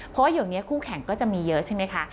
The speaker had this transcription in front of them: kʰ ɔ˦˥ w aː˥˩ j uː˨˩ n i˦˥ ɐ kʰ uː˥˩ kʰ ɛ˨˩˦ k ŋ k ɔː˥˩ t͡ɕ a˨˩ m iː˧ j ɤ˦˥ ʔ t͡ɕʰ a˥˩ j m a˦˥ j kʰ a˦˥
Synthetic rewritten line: pʰ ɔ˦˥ w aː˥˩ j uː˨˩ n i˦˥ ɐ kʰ uː˥˩ kʰ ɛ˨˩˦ ŋ k ɔː˥˩ t͡ɕ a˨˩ m iː˧ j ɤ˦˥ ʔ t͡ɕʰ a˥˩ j m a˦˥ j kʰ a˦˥